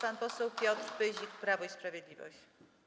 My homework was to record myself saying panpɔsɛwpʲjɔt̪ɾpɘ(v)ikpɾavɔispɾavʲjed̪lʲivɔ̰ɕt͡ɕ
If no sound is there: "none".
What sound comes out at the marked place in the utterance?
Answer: ʑ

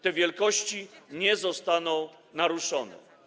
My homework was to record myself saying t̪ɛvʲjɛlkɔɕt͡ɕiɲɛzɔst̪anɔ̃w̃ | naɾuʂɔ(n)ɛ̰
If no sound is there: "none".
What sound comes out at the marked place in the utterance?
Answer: n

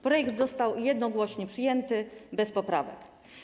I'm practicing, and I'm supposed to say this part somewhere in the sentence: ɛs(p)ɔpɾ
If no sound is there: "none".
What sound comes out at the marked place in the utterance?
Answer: p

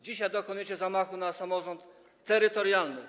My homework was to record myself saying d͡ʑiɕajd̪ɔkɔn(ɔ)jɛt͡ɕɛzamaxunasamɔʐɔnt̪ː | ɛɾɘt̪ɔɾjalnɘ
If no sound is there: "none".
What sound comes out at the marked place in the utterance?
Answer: u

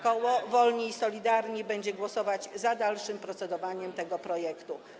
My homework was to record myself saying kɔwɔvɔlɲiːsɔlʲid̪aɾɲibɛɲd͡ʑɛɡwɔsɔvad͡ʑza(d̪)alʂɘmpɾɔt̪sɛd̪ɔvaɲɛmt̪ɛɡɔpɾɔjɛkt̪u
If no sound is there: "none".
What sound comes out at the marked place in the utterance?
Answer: d̪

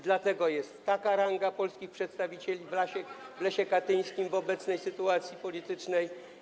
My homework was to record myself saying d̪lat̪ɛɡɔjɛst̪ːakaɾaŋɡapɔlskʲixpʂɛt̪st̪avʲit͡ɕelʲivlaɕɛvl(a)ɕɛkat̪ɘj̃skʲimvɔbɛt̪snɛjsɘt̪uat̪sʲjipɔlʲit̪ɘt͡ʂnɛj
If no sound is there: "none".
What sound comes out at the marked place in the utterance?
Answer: ɛ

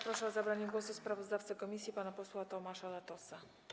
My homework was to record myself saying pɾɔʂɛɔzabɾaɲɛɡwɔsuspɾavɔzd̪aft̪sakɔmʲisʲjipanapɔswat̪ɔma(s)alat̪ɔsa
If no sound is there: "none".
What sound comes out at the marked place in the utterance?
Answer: ʂ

